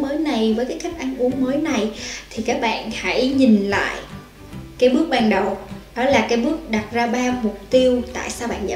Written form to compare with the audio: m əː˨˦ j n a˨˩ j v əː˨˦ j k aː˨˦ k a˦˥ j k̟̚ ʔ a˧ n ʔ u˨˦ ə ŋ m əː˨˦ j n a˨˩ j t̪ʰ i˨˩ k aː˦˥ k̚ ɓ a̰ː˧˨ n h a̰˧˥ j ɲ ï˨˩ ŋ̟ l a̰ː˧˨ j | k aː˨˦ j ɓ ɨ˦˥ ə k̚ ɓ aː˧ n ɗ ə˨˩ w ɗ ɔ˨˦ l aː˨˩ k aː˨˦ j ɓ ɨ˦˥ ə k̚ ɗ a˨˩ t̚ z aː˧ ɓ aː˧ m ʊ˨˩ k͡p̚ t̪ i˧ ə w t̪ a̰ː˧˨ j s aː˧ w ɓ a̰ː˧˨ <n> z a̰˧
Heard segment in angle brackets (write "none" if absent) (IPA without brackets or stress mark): n